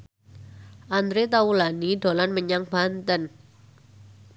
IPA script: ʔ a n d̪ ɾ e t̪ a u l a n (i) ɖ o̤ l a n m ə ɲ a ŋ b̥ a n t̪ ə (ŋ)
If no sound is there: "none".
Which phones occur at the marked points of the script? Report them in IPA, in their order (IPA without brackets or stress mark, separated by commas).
i, n